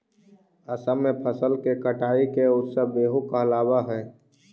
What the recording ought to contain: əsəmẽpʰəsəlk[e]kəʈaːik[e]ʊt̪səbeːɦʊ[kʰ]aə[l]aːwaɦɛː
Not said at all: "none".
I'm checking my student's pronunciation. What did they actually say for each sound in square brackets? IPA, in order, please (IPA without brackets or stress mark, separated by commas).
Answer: e, e, k, l